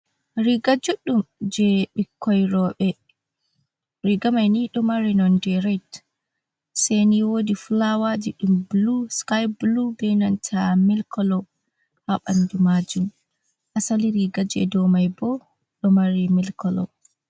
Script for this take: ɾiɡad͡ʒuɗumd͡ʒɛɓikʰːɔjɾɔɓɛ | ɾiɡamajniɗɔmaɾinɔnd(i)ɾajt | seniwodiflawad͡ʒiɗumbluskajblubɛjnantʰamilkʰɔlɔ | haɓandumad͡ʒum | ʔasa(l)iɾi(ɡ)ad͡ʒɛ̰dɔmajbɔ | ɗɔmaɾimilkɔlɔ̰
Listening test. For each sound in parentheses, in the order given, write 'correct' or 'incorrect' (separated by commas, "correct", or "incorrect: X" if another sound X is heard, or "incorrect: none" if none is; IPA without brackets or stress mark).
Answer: incorrect: ɛ, correct, correct